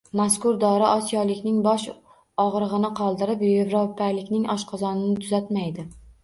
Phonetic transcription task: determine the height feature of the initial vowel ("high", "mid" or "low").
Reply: low